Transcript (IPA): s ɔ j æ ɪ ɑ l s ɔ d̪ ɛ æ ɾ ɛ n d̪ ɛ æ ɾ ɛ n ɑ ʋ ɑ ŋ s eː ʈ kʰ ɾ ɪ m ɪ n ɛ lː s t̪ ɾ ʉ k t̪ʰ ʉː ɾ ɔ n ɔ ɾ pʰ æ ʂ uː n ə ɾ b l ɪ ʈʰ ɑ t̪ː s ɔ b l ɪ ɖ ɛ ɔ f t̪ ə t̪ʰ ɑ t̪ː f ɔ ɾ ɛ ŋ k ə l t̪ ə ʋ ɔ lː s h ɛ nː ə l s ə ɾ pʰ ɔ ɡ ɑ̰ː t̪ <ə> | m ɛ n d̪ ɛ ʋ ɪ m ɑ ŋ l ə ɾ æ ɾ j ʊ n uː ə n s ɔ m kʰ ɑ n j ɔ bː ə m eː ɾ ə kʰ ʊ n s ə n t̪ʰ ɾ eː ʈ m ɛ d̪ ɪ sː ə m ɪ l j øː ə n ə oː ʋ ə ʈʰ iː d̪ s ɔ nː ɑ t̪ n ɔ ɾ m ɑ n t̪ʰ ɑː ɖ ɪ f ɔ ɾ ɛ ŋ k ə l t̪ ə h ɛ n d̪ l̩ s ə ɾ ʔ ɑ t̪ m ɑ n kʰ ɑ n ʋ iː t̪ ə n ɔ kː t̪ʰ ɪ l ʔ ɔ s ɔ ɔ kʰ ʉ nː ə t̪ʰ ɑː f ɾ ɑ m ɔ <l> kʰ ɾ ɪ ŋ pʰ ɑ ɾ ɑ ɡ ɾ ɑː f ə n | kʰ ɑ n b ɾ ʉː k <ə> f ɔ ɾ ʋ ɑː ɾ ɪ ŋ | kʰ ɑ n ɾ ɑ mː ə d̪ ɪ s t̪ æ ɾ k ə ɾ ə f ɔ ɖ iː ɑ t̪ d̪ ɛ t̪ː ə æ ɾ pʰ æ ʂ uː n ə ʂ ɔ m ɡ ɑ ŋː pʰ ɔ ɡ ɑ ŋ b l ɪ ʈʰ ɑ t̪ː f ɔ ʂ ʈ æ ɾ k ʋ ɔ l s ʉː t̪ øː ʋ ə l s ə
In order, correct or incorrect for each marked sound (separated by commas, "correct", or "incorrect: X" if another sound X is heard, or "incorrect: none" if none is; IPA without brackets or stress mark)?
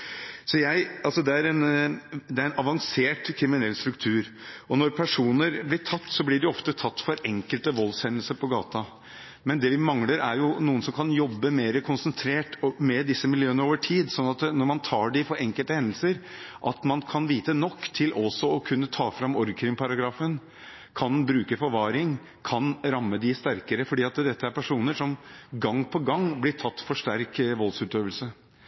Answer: incorrect: ɑ, incorrect: ɾ, correct